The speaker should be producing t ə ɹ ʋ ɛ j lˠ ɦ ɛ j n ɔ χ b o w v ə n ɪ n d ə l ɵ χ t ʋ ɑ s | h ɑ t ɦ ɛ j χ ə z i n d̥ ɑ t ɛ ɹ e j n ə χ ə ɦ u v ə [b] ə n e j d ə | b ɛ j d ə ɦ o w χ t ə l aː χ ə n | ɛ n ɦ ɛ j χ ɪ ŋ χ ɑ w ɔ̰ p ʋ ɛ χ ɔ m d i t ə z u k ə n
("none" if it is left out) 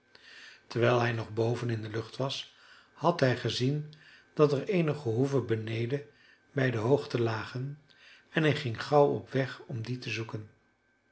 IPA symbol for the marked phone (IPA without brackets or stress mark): b